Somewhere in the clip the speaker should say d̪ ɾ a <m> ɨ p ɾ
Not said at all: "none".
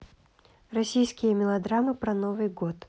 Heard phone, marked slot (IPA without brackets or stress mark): m